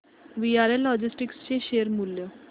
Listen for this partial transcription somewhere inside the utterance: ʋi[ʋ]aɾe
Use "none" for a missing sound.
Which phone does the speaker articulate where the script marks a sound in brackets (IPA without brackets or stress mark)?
none